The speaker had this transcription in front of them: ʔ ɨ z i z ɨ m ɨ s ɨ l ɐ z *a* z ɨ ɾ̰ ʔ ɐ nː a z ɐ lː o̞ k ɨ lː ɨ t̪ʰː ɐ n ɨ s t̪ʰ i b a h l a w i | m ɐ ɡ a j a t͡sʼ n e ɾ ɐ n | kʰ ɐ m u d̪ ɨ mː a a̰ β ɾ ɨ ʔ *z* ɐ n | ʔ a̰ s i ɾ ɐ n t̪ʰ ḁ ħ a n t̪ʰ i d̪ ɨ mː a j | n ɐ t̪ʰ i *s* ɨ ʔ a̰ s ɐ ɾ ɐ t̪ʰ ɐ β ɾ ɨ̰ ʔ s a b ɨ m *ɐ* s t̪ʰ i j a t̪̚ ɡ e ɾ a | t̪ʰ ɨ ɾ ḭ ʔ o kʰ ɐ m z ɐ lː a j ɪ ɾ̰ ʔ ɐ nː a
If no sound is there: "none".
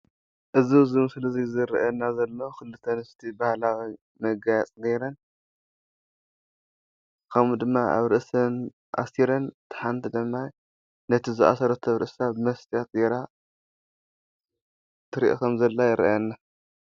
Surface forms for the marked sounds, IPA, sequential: i, s, z, ɐ

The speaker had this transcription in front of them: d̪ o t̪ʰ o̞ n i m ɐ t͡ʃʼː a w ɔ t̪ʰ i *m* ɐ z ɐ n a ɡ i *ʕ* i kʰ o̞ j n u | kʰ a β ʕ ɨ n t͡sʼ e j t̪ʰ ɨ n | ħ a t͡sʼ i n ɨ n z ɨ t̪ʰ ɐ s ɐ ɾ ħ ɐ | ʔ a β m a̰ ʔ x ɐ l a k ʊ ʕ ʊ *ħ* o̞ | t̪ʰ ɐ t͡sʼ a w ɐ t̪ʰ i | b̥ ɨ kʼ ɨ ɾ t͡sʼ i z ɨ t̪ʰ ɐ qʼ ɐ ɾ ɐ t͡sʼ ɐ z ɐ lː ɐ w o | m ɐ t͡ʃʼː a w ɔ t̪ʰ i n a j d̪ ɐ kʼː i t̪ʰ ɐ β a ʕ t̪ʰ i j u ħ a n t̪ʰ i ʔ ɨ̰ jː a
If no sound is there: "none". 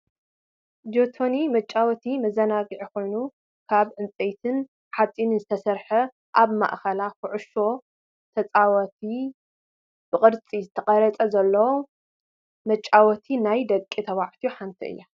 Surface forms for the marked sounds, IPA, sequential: m, ʕ, ʃ

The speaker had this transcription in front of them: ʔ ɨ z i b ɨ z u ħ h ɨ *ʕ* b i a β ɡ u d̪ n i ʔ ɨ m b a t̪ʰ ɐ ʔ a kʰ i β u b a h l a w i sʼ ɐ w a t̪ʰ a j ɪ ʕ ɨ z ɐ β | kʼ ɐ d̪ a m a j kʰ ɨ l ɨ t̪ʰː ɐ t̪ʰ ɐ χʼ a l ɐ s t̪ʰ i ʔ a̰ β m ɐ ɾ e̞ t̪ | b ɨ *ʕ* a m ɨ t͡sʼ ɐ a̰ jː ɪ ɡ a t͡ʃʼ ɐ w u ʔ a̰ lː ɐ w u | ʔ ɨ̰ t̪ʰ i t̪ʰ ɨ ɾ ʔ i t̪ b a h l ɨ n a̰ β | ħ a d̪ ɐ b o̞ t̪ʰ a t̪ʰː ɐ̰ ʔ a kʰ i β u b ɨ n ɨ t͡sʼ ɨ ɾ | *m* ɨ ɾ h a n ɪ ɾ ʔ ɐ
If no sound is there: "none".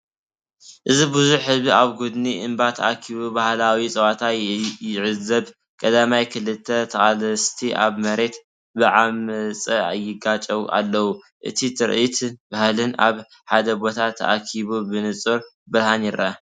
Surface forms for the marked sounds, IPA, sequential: z, ʕ, b

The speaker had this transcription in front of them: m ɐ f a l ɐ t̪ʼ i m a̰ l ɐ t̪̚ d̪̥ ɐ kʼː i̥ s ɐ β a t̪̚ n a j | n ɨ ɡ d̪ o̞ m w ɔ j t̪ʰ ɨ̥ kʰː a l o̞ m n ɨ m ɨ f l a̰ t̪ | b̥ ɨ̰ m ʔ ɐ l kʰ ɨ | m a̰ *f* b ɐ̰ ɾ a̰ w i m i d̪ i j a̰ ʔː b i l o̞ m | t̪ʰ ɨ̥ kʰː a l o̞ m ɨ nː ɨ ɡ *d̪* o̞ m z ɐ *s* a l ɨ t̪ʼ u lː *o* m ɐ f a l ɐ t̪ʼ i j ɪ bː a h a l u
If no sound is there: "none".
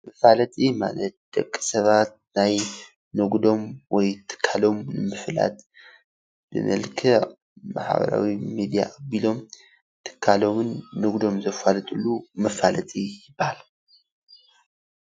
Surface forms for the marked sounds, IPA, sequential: ħ, d̪, f, u

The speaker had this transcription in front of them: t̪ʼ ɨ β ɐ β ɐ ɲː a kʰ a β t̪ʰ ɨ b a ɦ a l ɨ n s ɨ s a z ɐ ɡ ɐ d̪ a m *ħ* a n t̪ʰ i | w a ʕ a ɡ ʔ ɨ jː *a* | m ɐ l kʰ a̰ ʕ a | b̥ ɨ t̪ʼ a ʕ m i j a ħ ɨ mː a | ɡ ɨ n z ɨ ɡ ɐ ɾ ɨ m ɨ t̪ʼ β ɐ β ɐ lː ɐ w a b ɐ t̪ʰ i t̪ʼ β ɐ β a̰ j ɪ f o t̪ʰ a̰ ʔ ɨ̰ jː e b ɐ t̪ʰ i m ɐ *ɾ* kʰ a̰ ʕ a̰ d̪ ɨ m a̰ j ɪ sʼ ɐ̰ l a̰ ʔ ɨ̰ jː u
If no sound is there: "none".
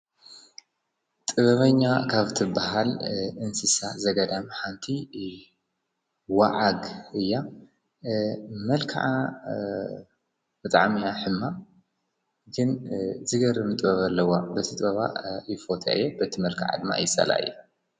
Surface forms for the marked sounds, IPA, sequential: ħ, a, l

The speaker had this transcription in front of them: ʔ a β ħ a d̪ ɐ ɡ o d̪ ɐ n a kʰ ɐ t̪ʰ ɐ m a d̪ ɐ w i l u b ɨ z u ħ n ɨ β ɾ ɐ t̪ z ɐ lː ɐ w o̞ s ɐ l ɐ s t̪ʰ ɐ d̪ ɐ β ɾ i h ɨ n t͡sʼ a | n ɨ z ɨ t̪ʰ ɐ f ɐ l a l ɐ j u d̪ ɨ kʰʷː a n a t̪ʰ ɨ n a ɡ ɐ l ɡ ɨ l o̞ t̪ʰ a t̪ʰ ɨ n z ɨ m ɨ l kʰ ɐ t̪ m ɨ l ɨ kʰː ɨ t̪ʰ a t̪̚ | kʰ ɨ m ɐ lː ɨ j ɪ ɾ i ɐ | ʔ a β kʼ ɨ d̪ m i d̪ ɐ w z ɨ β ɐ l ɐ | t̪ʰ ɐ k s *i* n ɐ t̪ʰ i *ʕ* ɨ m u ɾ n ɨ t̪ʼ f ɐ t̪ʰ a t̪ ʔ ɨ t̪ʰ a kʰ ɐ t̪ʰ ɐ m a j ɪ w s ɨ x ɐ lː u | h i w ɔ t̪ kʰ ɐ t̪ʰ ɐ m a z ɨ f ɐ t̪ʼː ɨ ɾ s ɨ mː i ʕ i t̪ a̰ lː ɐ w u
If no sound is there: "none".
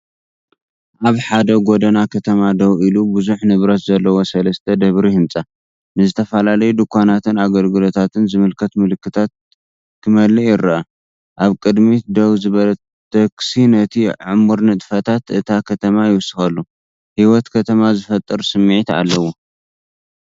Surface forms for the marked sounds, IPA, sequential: i, ʕ

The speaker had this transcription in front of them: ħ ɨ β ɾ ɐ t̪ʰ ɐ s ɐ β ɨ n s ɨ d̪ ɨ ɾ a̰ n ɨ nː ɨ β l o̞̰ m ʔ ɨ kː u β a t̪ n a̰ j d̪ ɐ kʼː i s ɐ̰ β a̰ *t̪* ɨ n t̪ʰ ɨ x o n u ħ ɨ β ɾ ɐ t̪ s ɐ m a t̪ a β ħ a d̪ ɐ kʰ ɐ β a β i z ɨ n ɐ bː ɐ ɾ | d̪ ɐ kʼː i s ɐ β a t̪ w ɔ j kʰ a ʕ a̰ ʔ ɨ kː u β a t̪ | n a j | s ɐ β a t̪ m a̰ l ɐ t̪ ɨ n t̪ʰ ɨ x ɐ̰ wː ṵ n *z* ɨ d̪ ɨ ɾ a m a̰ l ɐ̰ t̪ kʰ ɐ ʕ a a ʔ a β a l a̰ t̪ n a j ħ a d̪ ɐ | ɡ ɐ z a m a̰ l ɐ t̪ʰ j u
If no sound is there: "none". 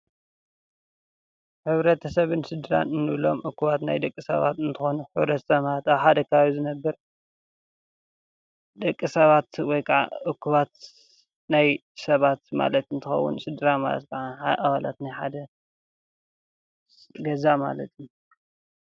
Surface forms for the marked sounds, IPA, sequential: t̪, s

